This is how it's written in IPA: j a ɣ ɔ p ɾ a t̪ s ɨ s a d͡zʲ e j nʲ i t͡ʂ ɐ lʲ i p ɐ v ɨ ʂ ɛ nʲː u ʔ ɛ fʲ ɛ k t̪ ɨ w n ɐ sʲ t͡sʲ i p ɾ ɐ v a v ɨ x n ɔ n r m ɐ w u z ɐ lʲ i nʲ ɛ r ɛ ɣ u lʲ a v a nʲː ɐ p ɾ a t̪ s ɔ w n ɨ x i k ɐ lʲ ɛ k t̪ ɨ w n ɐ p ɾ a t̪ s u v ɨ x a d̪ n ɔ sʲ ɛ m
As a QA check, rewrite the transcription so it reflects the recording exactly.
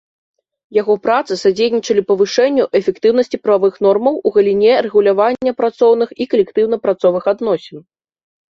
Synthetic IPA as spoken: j a ɣ ɔ p ɾ a t̪ s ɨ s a d͡zʲ e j nʲ i t͡ʂ ɐ lʲ i p ɐ v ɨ ʂ ɛ nʲː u ʔ ɛ fʲ ɛ k t̪ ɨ w n ɐ sʲ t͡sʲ i p ɾ ɐ v a v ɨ x n ɔ r m ɐ w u ɣ ɐ lʲ i nʲ ɛ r ɛ ɣ u lʲ a v a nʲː ɐ p ɾ a t̪ s ɔ w n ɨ x i k ɐ lʲ ɛ k t̪ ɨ w n ɐ p ɾ a t̪ s ɔ v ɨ x a d̪ n ɔ sʲ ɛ n

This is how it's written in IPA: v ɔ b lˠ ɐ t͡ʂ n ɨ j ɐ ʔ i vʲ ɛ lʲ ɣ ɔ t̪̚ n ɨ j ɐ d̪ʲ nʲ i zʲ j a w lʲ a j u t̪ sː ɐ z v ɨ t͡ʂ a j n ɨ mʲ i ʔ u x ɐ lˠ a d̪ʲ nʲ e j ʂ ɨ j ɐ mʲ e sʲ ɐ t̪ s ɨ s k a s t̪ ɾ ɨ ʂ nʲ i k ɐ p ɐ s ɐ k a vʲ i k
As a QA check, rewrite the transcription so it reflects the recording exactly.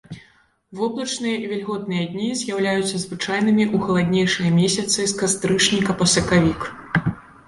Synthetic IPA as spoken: v ɔ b lˠ ɐ t͡ʂ n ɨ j ɐ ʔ i vʲ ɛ lʲ ɣ ɔ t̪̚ n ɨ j ɐ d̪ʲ nʲ i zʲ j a w lʲ a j u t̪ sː ɐ z v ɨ t͡ʂ a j n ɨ mʲ i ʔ u x ɐ lˠ a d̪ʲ nʲ e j ʂ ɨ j ɐ mʲ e sʲ ɐ t̪ s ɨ s k a s t̪ ɾ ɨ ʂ nʲ i k ɐ p ɐ s ɐ k a vʲ i k

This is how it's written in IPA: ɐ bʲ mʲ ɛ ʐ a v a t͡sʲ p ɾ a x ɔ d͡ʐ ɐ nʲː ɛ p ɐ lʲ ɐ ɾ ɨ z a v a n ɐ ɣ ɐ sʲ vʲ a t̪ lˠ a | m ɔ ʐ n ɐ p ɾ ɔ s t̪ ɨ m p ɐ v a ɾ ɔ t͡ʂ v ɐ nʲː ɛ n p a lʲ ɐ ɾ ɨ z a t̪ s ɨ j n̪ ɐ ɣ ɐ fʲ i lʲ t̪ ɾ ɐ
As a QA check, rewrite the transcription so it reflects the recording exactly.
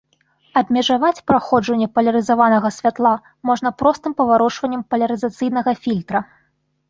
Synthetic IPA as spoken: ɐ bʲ mʲ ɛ ʐ a v a t͡sʲ p ɾ a x ɔ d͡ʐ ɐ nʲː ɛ p ɐ lʲ ɐ ɾ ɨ z a v a n ɐ ɣ ɐ sʲ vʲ a t̪ lˠ a | m ɔ ʐ n ɐ p ɾ ɔ s t̪ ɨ m p ɐ v a ɾ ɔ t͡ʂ v ɐ nʲː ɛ m p ɐ lʲ ɐ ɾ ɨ z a t̪ s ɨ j n̪ ɐ ɣ ɐ fʲ i lʲ t̪ ɾ ɐ

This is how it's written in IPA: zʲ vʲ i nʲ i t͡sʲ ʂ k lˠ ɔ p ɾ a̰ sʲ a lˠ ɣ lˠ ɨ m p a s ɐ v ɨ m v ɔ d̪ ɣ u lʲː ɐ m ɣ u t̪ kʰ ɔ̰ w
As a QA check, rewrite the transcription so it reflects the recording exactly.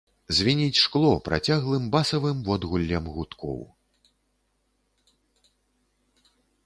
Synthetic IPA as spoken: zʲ vʲ i nʲ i t͡sʲ ʂ k lˠ ɔ p ɾ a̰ t͡sʲ a ɣ lˠ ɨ m b a s ɐ v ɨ m v ɔ d̪ ɣ u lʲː ɐ m ɣ u t̪ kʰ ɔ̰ w

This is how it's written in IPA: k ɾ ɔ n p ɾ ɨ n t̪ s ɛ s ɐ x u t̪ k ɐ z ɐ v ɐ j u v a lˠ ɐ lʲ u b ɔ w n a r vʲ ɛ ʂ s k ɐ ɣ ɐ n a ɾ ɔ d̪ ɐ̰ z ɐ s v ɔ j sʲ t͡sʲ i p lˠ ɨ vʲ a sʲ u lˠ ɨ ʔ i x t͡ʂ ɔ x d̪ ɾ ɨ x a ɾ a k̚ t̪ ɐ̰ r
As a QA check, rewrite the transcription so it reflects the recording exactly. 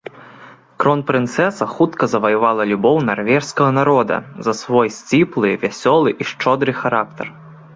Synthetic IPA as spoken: k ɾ ɔ n p ɾ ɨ n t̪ s ɛ s ɐ x u t̪ k ɐ z ɐ v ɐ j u v a lˠ ɐ lʲ u b ɔ w n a r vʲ ɛ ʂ s k ɐ ɣ ɐ n a ɾ ɔ d̪ ɐ̰ z ɐ s v ɔ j sʲ t͡sʲ i p lˠ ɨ vʲ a sʲ ɔ lˠ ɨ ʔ i ʂ t͡ʂ ɔ d̪ ɾ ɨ x a ɾ a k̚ t̪ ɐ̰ r

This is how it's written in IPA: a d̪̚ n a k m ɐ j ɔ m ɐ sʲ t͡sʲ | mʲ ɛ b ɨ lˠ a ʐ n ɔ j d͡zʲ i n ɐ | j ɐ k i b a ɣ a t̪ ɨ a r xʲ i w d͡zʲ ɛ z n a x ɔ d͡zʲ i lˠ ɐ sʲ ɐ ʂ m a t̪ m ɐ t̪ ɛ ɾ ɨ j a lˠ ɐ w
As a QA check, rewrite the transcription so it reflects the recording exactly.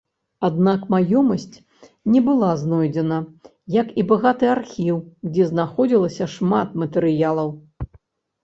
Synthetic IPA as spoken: a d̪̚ n a k m a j ɔ m ɐ sʲ t͡sʲ | nʲ ɛ b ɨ lˠ a z n ɔ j d͡zʲ ɛ n ɐ | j ɐ k i b a ɣ a t̪ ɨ a r xʲ i w d͡zʲ ɛ z n a x ɔ d͡zʲ i lˠ ɐ sʲ ɐ ʂ m a t̪ m ɐ t̪ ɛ ɾ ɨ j a lˠ ɐ w

